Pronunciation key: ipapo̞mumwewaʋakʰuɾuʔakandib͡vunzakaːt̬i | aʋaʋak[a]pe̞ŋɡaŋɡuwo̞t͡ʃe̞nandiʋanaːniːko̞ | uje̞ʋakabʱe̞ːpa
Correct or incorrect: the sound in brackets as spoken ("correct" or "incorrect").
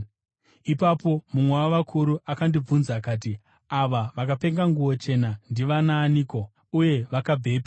correct